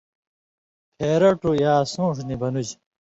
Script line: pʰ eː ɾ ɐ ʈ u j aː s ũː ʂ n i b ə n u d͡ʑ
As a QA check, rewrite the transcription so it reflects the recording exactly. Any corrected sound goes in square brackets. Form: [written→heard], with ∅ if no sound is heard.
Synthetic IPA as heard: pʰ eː ɾ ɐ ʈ u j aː s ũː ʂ n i b [ə→ɐ] n u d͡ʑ